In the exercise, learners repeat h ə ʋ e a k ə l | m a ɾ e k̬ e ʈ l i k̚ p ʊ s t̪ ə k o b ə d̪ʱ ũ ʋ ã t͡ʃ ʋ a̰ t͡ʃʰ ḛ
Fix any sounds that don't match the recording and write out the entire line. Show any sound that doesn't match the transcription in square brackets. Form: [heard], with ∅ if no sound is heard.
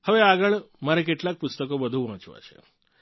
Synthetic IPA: h ə ʋ e a [ɡ] ə [ɭ] | m a ɾ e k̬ e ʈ l [a] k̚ p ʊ s t̪ ə k o b ə d̪ʱ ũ ʋ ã t͡ʃ ʋ a̰ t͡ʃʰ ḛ

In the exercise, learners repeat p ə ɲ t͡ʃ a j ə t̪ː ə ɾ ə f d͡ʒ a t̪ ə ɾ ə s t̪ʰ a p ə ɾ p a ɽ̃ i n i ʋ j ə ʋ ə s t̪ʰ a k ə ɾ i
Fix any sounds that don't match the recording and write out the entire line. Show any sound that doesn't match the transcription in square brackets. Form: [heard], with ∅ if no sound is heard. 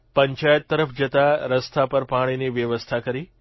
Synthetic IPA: p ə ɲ t͡ʃ a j ə t̪ː ə ɾ ə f d͡ʒ [ə] t̪ [a] ɾ ə s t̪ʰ a p ə ɾ p a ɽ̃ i n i ʋ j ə ʋ ə s t̪ʰ a k ə ɾ i

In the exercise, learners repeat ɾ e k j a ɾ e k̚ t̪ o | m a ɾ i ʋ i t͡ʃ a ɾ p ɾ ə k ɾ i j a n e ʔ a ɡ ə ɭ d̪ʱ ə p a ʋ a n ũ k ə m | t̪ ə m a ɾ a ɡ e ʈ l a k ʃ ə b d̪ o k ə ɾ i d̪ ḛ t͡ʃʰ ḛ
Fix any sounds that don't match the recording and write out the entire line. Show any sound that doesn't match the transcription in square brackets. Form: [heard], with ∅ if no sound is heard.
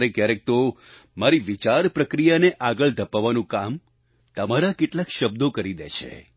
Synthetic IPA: ɾ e k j a ɾ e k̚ t̪ o | m a ɾ i ʋ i t͡ʃ a ɾ p ɾ ə k ɾ i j a n e ʔ a ɡ ə ɭ d̪ʱ ə p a ʋ a n ũ k [a] m | t̪ ə m a ɾ a [k] e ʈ l a k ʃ ə b d̪ o k ə ɾ i d̪ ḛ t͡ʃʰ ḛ

